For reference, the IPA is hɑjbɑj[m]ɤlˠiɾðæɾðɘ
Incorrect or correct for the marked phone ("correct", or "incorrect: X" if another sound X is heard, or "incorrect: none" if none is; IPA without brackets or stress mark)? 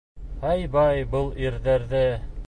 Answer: incorrect: b